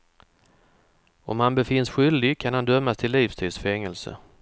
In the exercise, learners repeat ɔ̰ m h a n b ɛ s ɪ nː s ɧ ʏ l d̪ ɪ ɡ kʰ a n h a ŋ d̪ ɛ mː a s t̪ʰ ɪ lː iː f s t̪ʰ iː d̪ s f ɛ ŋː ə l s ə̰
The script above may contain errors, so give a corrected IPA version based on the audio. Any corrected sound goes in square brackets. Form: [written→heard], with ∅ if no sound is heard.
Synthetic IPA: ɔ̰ m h a n b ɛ [s→f] ɪ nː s ɧ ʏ l d̪ ɪ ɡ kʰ a n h a [ŋ→n] d̪ [ɛ→œ] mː a s t̪ʰ ɪ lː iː f s t̪ʰ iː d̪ s f ɛ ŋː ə l s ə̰